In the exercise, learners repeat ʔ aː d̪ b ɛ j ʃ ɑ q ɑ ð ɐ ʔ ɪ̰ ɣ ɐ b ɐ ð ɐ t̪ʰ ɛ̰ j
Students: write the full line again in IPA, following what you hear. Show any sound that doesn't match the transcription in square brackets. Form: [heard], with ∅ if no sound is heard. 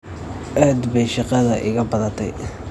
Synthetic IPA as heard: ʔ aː d̪ b ɛ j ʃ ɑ q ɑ ð ɐ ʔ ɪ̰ ɣ ɐ b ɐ ð ɐ t̪ʰ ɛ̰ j